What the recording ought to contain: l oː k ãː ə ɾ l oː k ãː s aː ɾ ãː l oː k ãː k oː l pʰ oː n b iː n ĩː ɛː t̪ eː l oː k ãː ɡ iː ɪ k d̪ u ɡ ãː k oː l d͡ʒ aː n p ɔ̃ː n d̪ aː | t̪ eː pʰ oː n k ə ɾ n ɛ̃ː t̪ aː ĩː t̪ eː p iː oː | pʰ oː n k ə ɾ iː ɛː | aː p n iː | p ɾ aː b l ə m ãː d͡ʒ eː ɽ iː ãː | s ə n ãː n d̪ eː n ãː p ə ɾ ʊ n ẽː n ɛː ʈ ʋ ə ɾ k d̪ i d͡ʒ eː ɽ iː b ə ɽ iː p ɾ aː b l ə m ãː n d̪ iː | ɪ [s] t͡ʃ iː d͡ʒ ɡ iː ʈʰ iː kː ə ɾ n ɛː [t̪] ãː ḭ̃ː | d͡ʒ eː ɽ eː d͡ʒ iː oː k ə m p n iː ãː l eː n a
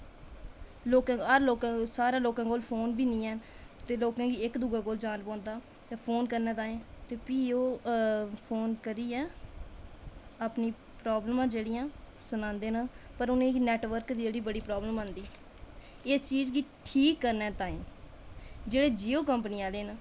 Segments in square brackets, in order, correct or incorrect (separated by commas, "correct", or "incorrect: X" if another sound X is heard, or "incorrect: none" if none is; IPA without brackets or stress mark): correct, correct